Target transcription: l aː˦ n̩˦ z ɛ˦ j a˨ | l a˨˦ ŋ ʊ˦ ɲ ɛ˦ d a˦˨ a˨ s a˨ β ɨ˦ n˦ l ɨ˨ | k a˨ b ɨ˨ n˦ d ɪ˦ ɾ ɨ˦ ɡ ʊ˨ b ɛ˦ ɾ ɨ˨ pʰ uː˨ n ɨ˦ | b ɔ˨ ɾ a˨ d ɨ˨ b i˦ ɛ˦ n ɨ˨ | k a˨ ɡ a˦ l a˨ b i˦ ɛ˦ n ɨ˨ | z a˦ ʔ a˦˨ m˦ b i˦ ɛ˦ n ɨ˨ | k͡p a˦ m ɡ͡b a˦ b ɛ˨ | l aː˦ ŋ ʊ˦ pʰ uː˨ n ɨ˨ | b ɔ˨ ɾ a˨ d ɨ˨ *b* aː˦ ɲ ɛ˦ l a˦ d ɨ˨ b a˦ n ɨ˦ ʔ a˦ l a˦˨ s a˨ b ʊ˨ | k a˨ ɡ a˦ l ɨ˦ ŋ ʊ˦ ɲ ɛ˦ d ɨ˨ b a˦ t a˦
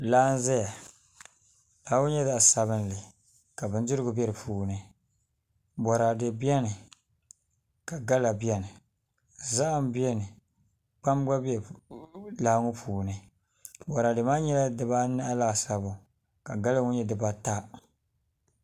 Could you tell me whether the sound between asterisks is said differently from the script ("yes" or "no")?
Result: yes